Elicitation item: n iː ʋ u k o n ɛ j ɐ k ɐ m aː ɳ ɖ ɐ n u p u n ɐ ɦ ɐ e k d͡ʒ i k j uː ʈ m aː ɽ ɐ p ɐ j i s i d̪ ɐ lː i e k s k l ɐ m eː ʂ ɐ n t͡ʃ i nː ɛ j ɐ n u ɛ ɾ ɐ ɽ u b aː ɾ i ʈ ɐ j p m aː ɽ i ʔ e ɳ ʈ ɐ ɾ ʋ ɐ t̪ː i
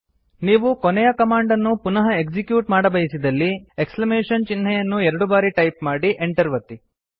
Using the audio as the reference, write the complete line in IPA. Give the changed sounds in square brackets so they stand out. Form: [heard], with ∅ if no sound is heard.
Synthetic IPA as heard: n iː ʋ u k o n ɛ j ɐ k ɐ m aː ɳ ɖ ɐ [nː] u p u n ɐ ɦ ɐ e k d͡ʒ i k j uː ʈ m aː ɽ ɐ [b] ɐ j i s i d̪ ɐ lː i e k s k l ɐ m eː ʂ ɐ n t͡ʃ i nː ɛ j ɐ [nː] u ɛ ɾ ɐ ɽ u b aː ɾ i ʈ ɐ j p m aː ɽ i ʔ e ɳ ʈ ɐ ɾ ʋ ɐ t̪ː i